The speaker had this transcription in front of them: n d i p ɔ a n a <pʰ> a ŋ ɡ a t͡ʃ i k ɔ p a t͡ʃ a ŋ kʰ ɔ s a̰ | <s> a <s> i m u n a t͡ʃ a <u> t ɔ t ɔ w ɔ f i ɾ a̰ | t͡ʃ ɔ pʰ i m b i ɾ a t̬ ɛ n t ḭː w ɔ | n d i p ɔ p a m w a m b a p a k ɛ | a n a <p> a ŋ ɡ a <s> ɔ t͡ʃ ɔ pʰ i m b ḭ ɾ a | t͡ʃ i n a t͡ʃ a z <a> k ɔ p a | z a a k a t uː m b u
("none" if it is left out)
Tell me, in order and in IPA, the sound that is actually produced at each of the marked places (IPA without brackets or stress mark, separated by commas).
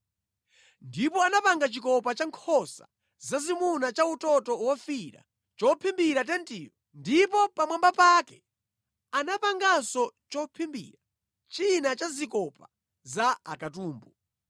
p, z, z, u, p, s, i